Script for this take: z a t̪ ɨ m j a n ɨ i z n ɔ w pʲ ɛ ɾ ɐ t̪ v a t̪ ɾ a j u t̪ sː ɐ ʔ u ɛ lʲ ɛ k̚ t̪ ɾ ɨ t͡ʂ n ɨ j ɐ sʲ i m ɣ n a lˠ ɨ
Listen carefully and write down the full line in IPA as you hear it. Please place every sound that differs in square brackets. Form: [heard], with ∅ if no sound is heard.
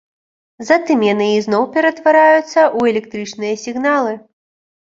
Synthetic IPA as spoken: z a t̪ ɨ m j a n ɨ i z n ɔ w pʲ ɛ ɾ ɐ t̪ v a [∅] ɾ a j u t̪ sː ɐ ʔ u ɛ lʲ ɛ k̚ t̪ ɾ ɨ t͡ʂ n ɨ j ɐ sʲ i [∅] ɣ n a lˠ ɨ